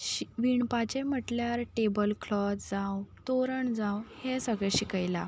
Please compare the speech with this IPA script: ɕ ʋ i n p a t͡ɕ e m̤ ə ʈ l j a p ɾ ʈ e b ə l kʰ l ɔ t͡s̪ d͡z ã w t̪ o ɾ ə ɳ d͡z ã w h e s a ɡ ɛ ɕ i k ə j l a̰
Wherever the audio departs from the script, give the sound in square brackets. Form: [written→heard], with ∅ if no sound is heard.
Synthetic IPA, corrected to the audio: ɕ ʋ i [n→ɳ] p a t͡ɕ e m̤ ə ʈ l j a [p→∅] ɾ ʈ e b ə l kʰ l ɔ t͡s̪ d͡z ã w t̪ o ɾ ə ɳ d͡z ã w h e s [a→ə] ɡ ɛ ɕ i k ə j l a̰